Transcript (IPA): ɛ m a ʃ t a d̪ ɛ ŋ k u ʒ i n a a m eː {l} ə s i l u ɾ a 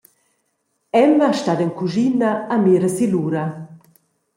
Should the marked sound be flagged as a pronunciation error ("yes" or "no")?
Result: yes